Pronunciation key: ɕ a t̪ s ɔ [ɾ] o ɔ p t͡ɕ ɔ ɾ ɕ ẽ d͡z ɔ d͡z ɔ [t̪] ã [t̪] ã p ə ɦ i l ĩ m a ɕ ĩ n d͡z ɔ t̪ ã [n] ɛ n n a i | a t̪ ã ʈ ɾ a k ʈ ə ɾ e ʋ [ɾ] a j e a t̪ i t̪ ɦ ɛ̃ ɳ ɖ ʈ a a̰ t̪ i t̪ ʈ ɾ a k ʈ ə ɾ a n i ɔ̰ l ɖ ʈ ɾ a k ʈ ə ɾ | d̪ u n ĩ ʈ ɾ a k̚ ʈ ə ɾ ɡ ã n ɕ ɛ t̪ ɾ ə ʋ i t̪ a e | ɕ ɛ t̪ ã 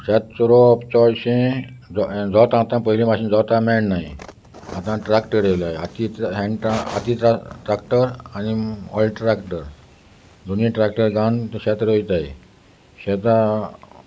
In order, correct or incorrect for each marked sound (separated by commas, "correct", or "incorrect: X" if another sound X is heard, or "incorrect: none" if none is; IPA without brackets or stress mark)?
correct, correct, correct, incorrect: m, incorrect: l